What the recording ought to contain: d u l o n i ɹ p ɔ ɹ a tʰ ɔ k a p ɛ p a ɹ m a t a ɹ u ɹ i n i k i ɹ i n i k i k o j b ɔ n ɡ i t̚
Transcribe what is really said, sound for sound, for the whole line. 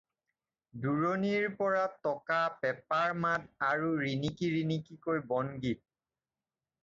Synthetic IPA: d u ɹ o n i ɹ p ɔ ɹ a t ɔ k a p ɛ p a ɹ m a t a ɹ u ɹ i n i k i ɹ i n i k i k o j b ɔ n ɡ i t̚